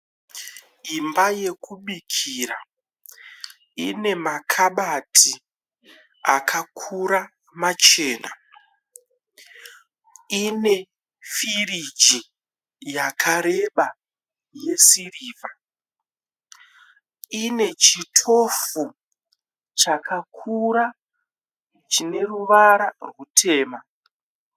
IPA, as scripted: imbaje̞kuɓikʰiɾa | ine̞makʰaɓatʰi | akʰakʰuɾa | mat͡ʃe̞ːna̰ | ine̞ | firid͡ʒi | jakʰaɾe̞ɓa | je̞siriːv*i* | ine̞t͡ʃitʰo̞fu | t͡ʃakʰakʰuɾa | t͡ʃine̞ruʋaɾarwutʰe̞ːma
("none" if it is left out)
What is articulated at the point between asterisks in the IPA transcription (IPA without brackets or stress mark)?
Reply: a